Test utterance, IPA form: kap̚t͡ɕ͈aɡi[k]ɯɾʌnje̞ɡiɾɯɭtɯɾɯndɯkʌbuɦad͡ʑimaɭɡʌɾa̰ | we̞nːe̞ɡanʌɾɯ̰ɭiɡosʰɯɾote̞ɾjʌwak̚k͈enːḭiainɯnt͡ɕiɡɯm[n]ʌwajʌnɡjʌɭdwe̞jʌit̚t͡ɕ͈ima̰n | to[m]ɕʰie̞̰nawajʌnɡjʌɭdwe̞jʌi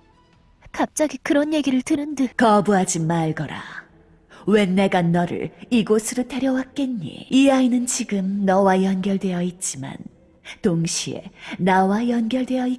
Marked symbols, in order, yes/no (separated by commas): yes, yes, no